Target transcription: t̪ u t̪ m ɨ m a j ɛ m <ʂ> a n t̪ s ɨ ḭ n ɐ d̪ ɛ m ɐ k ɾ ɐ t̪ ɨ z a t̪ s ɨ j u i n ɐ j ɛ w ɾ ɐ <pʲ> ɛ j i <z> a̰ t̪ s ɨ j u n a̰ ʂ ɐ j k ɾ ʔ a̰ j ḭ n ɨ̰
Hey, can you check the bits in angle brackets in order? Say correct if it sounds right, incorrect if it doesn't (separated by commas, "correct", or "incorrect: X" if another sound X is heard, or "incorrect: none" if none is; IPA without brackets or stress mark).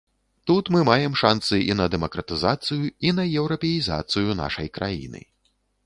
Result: correct, correct, correct